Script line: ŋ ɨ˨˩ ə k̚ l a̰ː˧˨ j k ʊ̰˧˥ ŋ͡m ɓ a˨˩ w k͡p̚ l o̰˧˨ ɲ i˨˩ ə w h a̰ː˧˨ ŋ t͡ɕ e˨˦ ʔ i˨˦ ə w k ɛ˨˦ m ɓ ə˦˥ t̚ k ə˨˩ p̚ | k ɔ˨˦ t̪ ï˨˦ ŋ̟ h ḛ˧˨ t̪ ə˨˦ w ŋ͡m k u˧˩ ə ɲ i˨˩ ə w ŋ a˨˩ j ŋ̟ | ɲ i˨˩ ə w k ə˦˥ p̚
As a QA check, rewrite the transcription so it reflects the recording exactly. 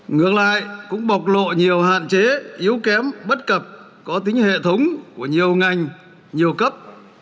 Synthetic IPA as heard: ŋ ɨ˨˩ ə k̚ l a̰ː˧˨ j k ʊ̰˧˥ ŋ͡m ɓ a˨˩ w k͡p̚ l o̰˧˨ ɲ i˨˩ ə w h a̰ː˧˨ n t͡ɕ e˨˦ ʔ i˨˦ ə w k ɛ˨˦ m ɓ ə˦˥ t̚ k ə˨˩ p̚ | k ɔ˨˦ t̪ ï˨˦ ŋ̟ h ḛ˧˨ t̪ʰ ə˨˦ w ŋ͡m k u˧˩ ə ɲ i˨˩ ə w ŋ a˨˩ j ŋ̟ | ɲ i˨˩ ə w k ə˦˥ p̚